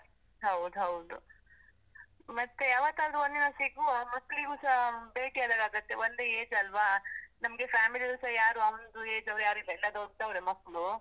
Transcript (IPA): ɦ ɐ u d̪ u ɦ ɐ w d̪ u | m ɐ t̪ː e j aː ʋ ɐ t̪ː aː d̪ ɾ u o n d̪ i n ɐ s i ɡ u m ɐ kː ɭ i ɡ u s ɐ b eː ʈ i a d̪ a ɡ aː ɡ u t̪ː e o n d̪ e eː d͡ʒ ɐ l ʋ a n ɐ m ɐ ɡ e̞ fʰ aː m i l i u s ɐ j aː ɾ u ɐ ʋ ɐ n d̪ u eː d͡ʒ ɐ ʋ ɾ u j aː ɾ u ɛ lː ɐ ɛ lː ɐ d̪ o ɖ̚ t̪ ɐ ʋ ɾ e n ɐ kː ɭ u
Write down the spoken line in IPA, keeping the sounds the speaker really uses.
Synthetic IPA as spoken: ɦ ɐ w d̪ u ɦ ɐ w d̪ u | m ɐ t̪ː e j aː ʋ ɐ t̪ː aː d̪ ɾ u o n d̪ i n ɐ s i ɡ u m ɐ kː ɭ i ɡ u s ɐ b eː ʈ i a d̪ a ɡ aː ɡ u t̪ː e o n d̪ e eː d͡ʒ ɐ l ʋ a n ɐ m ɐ ɡ e̞ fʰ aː m i l i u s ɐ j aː ɾ u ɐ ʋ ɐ n d̪ u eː d͡ʒ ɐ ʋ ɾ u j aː ɾ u i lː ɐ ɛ lː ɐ d̪ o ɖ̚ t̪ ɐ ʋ ɾ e m ɐ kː ɭ u